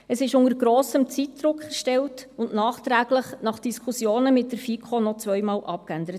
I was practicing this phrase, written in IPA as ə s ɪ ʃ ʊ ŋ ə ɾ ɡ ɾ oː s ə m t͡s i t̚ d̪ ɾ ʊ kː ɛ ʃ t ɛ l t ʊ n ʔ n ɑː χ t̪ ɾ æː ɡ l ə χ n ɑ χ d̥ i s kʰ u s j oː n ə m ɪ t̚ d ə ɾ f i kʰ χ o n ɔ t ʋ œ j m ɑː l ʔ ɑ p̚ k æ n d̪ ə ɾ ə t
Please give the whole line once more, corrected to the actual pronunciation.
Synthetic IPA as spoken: ə s ɪ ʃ ʊ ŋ ə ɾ ɡ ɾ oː s ə m t͡s i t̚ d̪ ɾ ʊ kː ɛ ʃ t ɛ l t ʊ n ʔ n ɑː χ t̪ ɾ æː ɡ l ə χ n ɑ χ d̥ i s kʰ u s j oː n ə m ɪ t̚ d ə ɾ f i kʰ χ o n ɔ t͡s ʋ œ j m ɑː l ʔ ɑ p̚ k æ n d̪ ə ɾ ə t